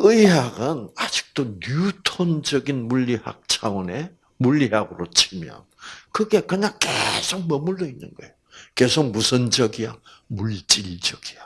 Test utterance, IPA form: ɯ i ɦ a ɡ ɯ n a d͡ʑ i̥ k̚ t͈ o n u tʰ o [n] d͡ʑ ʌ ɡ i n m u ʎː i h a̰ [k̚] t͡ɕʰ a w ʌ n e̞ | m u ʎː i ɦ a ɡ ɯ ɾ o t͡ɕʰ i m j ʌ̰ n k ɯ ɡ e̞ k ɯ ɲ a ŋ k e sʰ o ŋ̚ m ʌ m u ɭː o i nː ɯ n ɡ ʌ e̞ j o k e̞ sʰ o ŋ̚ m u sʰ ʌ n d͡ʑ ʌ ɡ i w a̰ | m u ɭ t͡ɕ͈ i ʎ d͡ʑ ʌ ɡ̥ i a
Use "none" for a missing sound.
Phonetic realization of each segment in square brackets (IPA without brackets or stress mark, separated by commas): n, k̚